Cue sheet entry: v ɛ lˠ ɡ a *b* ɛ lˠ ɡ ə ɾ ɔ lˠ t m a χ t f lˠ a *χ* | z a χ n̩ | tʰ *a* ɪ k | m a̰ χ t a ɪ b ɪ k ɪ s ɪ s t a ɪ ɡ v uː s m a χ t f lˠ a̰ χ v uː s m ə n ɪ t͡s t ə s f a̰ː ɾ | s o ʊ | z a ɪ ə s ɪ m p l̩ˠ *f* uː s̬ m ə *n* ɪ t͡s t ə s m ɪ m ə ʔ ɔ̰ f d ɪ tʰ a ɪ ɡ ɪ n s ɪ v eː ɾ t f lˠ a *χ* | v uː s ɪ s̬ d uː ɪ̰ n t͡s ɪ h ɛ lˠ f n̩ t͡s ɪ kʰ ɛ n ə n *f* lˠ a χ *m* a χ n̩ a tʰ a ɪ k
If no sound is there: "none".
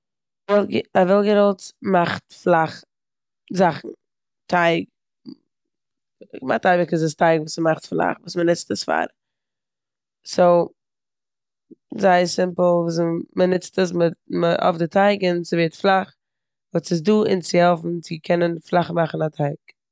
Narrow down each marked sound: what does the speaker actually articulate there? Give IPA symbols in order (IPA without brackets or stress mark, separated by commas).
v, χ, a, v, n, χ, f, m